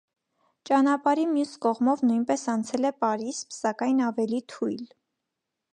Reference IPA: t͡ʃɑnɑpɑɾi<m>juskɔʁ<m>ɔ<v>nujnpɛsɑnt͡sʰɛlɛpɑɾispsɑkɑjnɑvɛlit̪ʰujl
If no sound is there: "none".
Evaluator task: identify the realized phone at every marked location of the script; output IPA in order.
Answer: m, m, v

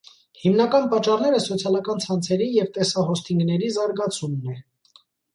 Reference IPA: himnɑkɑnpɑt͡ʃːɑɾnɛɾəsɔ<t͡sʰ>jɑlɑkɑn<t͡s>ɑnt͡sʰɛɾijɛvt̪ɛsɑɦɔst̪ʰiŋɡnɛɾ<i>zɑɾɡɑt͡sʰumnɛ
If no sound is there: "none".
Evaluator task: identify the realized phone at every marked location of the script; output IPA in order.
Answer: t͡sʰ, t͡sʰ, i

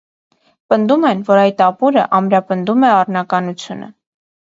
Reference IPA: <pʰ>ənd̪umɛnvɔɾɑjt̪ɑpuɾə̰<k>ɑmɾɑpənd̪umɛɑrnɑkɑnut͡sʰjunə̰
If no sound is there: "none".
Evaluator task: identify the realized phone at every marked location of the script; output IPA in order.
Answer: p, ʔ

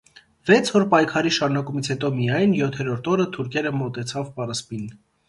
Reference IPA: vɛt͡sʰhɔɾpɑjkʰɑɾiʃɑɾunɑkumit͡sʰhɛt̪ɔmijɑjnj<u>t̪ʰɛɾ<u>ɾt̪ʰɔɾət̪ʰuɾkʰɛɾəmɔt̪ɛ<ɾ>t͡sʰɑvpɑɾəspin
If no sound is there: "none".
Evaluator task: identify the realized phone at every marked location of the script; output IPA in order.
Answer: ɔ, ɔ, none

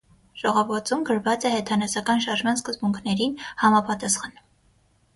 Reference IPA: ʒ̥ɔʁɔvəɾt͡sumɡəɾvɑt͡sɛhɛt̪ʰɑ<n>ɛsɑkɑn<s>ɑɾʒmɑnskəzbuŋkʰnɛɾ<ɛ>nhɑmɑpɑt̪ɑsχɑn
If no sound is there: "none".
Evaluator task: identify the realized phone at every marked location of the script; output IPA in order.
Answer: n, ʃ, i

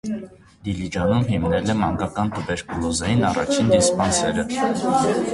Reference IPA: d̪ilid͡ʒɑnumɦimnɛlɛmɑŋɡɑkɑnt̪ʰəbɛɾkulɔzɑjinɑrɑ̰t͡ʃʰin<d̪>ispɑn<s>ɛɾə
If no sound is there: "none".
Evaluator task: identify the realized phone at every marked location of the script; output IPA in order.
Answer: d̪, s

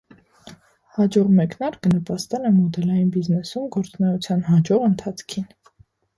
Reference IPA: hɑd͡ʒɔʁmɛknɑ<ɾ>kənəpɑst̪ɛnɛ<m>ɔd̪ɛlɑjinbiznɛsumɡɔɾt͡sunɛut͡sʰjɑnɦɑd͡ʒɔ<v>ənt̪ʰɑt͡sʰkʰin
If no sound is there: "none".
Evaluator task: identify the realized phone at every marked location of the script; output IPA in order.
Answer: ɾ, m, ʁ

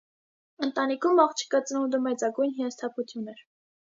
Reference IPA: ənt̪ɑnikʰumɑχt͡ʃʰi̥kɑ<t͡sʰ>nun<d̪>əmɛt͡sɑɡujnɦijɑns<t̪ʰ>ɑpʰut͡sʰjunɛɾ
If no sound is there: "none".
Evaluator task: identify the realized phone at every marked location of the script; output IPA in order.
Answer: t͡s, d̪, t̪ʰ

